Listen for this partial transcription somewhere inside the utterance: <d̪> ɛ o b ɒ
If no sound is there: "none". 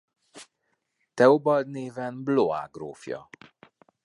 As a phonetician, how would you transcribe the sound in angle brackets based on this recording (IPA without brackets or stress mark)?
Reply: t̪